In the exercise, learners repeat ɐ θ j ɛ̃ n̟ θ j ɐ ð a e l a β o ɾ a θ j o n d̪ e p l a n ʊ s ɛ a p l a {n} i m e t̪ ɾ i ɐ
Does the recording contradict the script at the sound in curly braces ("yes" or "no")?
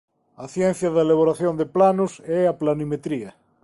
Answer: no